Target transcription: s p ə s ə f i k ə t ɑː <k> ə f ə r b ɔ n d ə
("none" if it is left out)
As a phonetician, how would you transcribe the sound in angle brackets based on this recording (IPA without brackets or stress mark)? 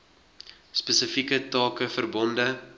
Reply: k